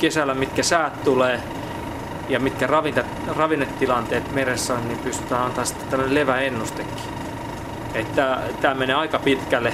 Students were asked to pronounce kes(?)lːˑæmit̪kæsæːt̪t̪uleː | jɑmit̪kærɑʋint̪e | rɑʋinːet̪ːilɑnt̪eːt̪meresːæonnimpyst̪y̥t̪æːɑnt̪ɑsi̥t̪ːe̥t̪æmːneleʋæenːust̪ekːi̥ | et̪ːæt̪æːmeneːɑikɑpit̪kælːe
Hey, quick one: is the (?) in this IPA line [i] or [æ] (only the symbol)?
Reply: æ